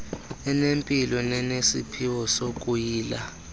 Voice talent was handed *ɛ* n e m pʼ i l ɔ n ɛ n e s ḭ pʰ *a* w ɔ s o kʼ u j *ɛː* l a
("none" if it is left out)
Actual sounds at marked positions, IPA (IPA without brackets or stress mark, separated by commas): ɛ, i, iː